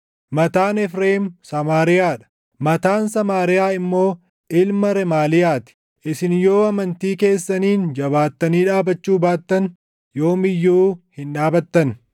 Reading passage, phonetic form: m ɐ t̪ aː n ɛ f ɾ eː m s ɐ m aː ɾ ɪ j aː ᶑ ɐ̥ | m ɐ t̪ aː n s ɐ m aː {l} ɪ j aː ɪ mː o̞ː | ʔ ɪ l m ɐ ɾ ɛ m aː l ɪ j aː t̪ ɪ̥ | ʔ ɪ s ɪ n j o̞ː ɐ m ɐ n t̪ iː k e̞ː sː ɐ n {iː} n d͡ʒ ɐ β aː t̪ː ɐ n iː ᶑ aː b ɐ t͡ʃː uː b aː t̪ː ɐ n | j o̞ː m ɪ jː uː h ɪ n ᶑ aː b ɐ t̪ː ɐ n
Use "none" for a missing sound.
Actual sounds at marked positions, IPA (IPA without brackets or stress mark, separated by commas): ɾ, iː